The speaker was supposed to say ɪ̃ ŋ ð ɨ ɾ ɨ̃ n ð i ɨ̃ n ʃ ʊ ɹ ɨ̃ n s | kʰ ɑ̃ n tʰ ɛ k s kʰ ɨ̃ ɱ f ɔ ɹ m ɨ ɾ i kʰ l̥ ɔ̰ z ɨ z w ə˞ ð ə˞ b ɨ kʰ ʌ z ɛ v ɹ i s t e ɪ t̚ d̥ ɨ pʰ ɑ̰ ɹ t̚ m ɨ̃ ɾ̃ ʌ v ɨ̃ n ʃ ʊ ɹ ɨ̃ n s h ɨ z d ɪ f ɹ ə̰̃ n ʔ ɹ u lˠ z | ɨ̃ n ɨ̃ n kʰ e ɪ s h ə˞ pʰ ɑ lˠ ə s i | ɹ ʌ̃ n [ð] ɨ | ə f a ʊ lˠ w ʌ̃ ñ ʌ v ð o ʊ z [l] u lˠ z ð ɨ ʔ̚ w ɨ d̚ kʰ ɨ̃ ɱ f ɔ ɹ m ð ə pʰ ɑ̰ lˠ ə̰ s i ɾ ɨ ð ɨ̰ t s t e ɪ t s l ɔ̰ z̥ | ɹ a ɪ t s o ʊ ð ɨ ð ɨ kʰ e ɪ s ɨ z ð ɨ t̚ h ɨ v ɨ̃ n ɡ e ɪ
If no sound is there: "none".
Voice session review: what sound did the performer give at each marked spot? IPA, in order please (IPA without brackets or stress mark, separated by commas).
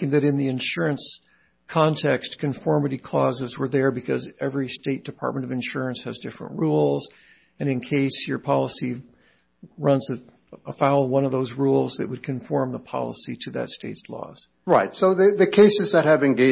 z, ɹ